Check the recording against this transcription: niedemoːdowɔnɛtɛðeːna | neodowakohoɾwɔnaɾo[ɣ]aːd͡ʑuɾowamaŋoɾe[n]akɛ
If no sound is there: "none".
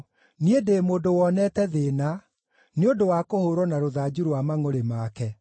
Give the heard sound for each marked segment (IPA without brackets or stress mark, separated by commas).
ð, m